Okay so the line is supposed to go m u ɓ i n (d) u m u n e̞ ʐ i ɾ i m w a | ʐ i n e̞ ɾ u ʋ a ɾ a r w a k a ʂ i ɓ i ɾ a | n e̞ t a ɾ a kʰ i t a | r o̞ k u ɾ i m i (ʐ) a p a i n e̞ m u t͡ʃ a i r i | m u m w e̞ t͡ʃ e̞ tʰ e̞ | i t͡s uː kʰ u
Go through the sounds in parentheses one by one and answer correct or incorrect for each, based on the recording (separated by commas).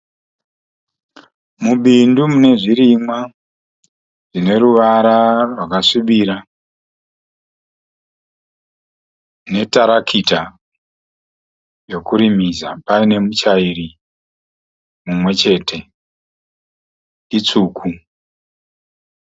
correct, incorrect